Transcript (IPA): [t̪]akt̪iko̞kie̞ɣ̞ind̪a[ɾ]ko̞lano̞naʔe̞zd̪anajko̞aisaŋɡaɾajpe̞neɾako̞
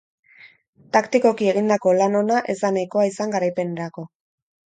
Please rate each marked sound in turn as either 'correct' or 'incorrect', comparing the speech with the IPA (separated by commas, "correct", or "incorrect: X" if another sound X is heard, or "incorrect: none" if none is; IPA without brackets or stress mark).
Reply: correct, incorrect: none